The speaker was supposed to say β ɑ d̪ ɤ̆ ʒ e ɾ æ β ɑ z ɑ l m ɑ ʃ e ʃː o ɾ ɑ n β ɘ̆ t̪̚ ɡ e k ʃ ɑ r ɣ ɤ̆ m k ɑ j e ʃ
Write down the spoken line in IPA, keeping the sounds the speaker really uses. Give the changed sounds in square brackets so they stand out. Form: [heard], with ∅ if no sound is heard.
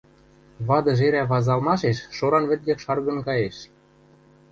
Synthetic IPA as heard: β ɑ d̪ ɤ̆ ʒ e ɾ æ β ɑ z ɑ l m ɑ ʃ e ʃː o ɾ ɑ n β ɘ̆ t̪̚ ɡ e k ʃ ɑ r ɣ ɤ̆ [n] k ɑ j e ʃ